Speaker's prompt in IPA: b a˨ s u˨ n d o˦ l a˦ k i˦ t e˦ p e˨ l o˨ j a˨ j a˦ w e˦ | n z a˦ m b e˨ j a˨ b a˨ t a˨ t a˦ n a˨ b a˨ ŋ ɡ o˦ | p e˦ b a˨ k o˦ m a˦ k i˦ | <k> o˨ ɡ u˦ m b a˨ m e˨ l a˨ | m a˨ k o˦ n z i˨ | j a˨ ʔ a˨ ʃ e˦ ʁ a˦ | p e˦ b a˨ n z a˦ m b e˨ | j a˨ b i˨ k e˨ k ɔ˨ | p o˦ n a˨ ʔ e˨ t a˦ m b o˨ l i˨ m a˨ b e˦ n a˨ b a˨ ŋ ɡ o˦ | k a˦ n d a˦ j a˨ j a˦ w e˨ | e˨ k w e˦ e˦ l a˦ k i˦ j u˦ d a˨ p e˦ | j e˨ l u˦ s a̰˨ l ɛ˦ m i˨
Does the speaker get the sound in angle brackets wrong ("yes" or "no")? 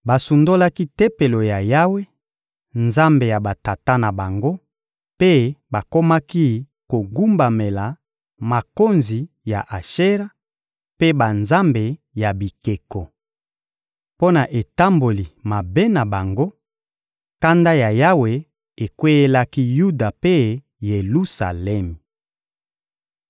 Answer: no